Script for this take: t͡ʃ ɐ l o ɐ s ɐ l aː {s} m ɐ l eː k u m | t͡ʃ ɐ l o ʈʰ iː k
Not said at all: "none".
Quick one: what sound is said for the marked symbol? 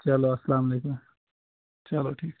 none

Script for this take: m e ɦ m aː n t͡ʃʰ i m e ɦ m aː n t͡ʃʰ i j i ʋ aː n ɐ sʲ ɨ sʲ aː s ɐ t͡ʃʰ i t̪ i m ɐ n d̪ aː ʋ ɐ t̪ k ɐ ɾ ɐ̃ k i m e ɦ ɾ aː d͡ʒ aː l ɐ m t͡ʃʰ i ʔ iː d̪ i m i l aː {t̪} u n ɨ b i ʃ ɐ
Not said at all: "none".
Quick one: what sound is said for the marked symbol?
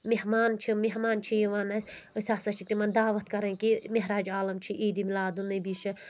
d̪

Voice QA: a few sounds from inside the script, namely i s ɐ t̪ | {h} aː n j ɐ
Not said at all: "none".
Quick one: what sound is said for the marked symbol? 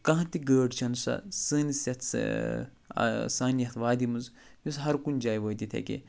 s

